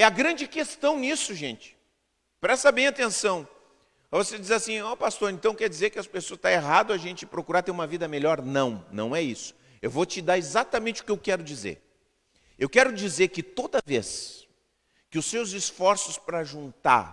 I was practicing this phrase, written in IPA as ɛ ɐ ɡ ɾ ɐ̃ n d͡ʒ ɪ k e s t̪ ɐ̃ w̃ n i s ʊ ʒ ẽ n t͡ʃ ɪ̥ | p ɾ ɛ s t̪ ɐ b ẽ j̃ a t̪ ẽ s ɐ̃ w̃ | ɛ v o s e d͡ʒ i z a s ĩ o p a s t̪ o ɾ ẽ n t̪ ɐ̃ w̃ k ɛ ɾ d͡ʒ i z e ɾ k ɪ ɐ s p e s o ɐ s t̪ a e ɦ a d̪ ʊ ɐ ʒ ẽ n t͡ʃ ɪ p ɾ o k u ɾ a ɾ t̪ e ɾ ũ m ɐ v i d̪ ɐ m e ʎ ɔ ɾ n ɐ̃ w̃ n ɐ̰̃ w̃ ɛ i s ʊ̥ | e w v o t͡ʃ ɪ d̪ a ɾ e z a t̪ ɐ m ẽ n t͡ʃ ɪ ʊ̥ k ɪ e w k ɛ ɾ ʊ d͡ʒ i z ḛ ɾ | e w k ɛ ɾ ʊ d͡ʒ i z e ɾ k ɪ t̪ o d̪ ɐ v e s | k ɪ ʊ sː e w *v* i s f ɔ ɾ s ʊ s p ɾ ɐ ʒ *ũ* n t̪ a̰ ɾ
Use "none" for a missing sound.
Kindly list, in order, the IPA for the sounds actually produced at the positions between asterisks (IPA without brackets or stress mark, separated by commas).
z, ũ